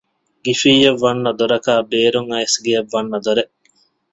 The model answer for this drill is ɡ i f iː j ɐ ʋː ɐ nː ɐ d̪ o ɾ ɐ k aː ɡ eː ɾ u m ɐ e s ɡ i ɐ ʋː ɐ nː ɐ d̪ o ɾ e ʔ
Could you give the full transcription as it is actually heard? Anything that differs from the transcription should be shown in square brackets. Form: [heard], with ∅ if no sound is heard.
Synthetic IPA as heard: ɡ i f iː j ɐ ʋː ɐ nː ɐ d̪ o ɾ ɐ k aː [b] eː ɾ u [ŋ] ɐ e s ɡ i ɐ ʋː ɐ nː ɐ d̪ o ɾ e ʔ